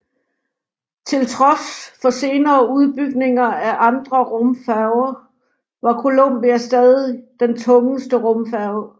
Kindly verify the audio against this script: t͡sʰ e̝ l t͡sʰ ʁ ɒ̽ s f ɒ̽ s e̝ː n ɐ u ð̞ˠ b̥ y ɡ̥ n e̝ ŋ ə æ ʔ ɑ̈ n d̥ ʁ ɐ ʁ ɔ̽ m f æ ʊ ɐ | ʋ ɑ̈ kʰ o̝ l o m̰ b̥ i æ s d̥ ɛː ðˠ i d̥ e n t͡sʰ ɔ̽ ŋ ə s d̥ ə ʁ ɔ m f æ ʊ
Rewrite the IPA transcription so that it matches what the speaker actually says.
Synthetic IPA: t͡sʰ e̝ l t͡sʰ ʁ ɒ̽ s f ɒ̽ s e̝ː n ɐː u ð̞ˠ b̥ y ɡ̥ n e̝ ŋ ɐ æ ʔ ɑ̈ n d̥ ʁ ɐ ʁ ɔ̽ m f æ ʊ ɐ | ʋ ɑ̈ kʰ o̝ l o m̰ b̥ i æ s d̥ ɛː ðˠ i d̥ e n t͡sʰ ɔ̽ ŋ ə s d̥ ə ʁ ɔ m f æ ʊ